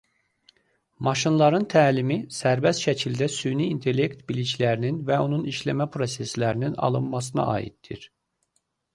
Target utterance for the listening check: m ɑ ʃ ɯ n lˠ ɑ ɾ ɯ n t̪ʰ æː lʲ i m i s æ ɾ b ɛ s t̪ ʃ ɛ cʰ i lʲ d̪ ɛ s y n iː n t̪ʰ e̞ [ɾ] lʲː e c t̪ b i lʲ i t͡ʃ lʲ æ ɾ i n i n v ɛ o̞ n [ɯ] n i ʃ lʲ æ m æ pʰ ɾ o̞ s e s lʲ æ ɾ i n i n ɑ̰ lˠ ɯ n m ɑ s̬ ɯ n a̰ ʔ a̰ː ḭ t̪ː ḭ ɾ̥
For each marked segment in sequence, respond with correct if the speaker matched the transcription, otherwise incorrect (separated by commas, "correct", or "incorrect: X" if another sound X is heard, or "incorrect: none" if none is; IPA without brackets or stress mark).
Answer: incorrect: none, incorrect: u